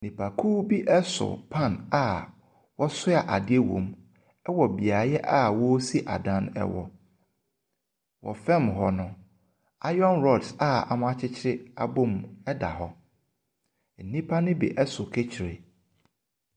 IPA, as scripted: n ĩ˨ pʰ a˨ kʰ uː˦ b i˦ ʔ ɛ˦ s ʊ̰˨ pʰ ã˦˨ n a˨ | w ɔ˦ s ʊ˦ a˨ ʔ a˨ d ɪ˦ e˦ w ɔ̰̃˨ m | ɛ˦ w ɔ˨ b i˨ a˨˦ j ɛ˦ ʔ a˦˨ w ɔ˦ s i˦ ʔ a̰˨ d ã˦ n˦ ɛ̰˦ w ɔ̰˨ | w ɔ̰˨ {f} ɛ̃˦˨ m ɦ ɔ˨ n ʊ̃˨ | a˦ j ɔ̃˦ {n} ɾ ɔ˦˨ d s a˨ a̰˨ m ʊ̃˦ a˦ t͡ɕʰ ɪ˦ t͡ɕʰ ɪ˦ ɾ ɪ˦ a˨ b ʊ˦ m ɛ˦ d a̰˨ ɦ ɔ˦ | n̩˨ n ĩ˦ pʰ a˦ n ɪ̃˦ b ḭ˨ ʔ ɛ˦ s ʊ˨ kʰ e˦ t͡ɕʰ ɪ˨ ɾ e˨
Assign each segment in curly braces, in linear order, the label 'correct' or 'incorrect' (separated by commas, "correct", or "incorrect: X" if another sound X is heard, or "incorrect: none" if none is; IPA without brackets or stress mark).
correct, correct